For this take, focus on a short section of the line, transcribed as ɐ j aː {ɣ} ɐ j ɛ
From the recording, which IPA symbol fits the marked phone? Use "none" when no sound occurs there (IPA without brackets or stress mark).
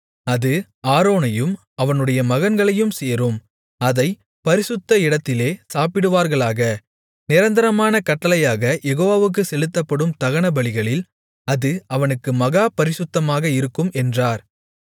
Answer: ɣ